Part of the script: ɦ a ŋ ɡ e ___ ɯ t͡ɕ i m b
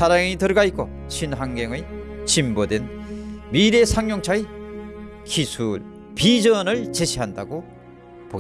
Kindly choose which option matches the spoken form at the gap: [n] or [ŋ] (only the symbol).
ŋ